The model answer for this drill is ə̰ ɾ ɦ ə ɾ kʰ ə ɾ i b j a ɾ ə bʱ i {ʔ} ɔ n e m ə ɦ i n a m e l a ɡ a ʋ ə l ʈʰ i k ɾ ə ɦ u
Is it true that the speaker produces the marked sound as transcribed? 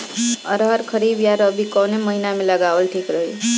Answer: no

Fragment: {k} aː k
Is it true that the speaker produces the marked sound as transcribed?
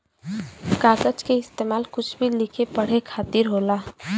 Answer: yes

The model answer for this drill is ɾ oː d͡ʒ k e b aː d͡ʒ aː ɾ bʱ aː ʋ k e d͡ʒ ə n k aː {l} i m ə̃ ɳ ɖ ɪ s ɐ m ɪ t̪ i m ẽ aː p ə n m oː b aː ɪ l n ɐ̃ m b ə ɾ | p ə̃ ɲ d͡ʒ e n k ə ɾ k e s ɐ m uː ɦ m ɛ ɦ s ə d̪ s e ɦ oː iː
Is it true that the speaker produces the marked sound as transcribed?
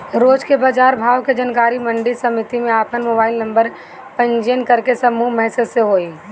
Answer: no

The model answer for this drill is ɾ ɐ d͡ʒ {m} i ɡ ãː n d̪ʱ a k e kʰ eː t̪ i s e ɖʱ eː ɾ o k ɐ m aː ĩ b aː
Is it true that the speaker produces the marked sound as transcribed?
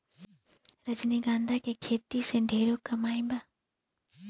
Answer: no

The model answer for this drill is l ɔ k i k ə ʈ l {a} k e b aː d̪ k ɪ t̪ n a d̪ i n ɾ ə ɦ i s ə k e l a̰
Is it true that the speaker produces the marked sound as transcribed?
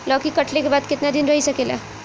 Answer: no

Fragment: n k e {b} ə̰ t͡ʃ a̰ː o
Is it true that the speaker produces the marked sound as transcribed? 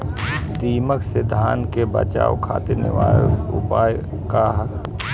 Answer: yes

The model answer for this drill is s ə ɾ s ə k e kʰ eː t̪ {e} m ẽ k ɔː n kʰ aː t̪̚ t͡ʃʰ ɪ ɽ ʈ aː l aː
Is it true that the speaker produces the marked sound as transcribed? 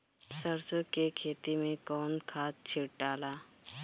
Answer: no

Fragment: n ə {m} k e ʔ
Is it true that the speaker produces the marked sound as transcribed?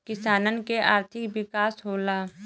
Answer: no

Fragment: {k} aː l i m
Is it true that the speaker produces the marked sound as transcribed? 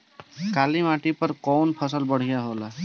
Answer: yes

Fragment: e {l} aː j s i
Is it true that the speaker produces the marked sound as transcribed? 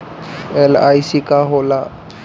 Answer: yes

